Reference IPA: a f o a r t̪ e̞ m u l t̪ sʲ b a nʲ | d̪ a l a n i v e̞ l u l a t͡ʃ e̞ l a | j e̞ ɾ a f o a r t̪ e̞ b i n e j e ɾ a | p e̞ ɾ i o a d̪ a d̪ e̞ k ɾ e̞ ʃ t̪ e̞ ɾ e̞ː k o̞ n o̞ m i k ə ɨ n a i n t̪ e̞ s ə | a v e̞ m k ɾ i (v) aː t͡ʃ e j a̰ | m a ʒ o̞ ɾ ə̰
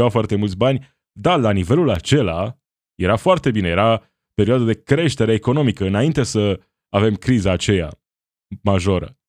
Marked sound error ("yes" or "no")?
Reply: yes